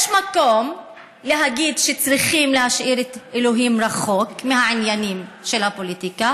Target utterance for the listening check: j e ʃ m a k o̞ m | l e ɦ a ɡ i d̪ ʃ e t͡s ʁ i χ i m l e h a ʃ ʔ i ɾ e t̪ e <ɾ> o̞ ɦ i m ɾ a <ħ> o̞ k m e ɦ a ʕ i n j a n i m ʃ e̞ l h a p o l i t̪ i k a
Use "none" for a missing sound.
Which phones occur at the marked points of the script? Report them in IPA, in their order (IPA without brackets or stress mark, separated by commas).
l, χ